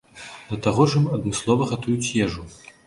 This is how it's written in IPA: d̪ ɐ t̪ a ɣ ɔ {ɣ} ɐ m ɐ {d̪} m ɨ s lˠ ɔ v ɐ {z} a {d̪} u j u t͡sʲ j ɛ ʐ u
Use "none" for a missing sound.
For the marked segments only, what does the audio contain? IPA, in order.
ʐ, d̪, ɣ, t̪

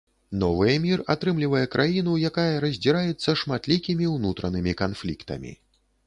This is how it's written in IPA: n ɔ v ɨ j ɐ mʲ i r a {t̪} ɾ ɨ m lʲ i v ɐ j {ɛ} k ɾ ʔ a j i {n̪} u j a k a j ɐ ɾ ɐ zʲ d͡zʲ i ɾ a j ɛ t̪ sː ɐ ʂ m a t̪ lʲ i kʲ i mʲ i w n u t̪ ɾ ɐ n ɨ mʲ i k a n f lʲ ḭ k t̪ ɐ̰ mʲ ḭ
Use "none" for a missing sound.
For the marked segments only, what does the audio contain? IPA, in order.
t̪, ɛ, n̪

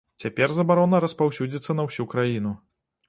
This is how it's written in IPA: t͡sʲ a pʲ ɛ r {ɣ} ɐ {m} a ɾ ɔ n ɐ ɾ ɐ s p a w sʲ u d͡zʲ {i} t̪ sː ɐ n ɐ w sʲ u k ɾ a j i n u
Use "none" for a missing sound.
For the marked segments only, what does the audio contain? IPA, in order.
z, b, i

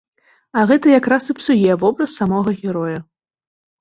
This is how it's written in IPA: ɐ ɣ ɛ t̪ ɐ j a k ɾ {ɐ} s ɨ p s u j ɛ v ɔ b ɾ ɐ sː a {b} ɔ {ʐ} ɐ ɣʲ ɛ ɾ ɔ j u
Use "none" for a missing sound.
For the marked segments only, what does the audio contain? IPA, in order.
a, m, ɣ

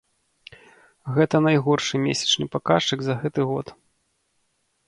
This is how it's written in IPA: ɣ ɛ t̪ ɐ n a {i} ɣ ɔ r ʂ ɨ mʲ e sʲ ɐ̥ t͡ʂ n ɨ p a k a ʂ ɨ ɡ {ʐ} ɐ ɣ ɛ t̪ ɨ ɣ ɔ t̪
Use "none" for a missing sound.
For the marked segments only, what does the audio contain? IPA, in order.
j, z

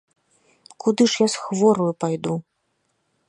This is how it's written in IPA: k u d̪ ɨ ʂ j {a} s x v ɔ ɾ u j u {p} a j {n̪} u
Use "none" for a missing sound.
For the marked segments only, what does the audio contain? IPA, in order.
a, p, d̪

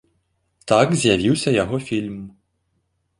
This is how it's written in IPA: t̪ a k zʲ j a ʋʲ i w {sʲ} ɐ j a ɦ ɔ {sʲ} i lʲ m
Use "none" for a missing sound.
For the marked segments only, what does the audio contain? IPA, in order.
sʲ, fʲ

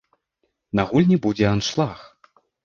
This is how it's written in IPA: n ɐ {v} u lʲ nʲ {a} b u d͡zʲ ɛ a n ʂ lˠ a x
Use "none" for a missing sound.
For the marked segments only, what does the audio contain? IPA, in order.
ɣ, i

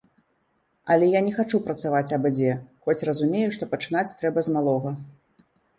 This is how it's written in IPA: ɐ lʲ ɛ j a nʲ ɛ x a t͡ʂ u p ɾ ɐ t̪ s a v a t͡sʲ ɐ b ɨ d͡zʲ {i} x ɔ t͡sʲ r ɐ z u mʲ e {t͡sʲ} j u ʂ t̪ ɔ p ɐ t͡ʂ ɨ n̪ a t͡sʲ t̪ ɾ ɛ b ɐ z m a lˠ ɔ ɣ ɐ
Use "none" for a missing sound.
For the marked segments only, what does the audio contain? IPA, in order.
ɛ, none

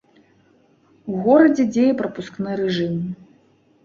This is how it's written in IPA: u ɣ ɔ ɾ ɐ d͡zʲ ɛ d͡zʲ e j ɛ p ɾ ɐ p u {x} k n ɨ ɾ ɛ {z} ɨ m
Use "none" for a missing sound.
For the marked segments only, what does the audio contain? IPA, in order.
s, ʐ

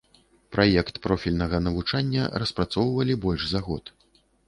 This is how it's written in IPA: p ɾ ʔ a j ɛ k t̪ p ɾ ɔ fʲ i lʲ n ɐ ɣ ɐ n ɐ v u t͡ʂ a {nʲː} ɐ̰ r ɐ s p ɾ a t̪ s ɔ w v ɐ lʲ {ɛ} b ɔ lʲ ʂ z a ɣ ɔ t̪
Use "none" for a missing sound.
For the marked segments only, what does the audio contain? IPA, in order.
nʲː, i

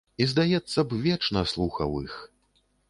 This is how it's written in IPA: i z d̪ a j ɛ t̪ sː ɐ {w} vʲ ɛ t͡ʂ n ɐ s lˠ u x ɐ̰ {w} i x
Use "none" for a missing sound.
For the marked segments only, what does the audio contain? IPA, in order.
b, w

